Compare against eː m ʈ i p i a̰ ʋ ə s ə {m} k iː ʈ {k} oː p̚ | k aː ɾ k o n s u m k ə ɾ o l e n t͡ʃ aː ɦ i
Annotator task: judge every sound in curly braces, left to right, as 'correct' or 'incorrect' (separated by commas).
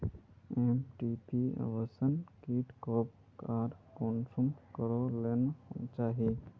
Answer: incorrect, correct